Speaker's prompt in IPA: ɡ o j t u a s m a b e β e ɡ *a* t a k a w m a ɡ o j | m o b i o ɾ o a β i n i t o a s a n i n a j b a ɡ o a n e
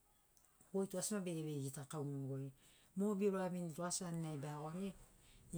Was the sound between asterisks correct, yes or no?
no